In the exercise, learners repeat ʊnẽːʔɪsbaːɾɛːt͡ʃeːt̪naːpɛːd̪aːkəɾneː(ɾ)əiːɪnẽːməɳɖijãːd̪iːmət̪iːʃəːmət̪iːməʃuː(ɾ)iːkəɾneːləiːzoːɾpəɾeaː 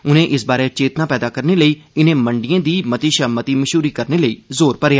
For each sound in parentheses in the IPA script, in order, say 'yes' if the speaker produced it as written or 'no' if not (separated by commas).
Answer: no, yes